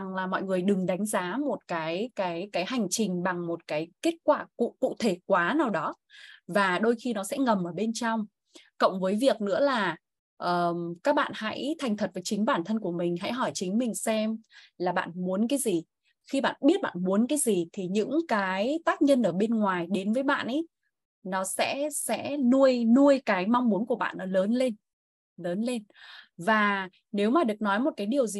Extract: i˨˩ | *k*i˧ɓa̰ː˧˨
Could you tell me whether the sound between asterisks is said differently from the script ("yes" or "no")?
yes